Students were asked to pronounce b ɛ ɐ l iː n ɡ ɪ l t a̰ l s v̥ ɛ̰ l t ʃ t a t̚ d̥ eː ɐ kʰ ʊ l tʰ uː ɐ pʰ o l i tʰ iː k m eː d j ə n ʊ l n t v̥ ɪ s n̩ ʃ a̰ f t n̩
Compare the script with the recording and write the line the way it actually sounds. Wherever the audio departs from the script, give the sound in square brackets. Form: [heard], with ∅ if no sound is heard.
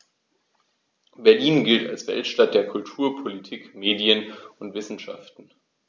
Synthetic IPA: b ɛ ɐ l iː n ɡ ɪ l t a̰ l s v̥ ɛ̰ l t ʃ t a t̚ d̥ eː ɐ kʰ ʊ l tʰ uː ɐ pʰ o l i tʰ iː k m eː d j ə n ʊ [∅] n t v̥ ɪ s n̩ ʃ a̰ f t n̩